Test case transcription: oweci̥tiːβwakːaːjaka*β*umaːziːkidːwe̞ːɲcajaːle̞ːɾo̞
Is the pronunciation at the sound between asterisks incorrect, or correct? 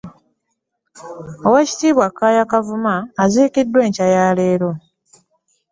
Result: incorrect